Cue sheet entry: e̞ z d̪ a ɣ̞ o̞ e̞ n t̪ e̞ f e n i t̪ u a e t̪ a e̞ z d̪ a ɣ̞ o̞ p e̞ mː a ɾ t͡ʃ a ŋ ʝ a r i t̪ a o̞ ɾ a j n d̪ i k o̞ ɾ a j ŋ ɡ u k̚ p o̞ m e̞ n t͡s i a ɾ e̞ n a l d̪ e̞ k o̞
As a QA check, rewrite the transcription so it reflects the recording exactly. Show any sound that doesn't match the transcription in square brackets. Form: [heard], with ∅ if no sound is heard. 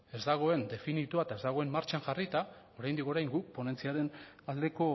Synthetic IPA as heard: e̞ z d̪ a ɣ̞ o̞ e̞ n [d̪] e̞ f [i] n i t̪ u a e t̪ a e̞ z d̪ a ɣ̞ o̞ [∅] e̞ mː a ɾ t͡ʃ a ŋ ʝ a r i t̪ a o̞ ɾ a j n d̪ i k o̞ ɾ a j ŋ ɡ u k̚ p o̞ [n] e̞ n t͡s i a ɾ e̞ n a l d̪ e̞ k o̞